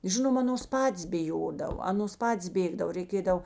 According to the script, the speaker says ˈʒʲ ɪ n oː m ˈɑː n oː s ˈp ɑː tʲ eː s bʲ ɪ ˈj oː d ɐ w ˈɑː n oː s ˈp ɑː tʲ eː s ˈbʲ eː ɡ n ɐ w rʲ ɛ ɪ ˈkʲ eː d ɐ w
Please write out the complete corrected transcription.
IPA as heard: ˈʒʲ ɪ n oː m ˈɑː n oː s ˈp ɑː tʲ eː s bʲ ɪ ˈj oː d ɐ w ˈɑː n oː s ˈp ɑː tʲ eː s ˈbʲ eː ɡ d ɐ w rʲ ɛ ɪ ˈkʲ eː d ɐ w